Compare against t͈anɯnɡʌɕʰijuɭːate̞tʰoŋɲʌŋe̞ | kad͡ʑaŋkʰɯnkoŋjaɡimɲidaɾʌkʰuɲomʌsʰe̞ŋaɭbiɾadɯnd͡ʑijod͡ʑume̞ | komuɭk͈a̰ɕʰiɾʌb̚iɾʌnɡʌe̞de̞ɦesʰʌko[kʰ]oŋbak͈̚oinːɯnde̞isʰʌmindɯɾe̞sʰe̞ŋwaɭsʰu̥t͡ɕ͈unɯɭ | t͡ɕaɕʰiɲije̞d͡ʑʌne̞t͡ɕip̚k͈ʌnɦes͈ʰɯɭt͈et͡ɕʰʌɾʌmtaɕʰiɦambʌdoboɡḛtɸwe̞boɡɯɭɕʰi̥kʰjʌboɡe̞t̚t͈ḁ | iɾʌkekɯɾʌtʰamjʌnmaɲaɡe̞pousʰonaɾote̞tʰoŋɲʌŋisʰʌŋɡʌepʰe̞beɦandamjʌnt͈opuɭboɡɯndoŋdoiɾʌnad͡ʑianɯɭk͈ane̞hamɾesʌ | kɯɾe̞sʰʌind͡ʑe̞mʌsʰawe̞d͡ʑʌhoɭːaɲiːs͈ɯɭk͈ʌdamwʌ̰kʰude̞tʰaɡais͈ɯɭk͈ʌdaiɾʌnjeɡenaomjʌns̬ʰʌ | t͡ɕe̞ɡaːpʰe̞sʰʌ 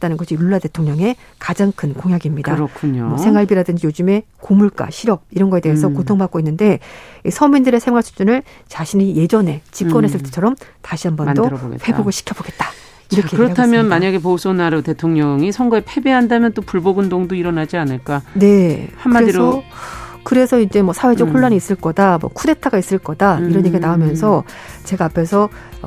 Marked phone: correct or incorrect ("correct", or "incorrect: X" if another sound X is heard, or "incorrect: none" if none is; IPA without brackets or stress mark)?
incorrect: tʰ